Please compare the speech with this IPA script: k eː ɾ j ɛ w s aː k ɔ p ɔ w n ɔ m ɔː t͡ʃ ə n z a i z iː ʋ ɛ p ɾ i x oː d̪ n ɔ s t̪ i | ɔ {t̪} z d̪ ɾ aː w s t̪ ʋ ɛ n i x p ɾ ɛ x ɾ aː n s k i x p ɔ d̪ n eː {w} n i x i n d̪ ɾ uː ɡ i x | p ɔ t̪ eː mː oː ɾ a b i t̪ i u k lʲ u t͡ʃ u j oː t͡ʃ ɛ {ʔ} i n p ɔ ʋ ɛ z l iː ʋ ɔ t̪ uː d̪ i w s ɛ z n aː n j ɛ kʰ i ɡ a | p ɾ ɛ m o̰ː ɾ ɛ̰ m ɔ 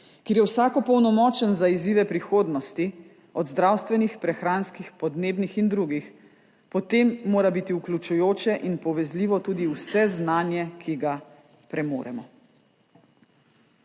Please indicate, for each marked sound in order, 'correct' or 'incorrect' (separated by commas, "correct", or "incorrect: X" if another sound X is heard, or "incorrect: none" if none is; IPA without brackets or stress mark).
incorrect: d̪, incorrect: b, correct